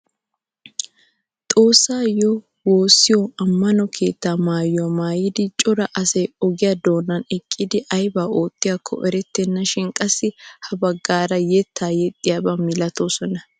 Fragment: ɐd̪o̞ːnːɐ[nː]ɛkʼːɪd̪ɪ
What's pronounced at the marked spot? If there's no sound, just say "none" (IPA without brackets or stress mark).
n